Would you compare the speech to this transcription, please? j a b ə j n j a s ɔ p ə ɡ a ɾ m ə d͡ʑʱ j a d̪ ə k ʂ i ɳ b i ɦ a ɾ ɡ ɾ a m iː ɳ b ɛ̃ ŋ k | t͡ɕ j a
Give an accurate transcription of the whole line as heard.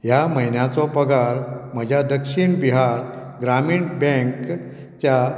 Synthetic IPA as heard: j a m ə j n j a t͡s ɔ p ə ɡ a ɾ m ə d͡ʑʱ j a d̪ ə k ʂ i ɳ b i ɦ a ɾ ɡ ɾ a m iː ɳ b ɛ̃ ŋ k | t͡ɕ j a